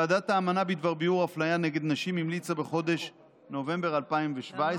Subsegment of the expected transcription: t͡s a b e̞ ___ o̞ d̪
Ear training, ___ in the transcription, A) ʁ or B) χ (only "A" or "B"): B